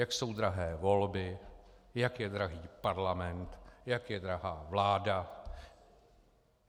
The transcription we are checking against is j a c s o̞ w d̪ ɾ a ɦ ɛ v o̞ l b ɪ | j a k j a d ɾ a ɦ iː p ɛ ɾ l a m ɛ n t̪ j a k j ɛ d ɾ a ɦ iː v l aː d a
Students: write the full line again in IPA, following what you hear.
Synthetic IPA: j a k s o̞ w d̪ ɾ a ɦ ɛː v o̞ l b ɪ | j a k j ɛ d ɾ a ɦ iː p a ɾ l a m ɛ n t̪ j a k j ɛ d ɾ a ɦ aː v l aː d a